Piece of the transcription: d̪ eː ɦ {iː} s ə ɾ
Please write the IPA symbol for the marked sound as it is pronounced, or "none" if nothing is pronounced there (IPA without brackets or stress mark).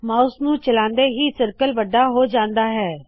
iː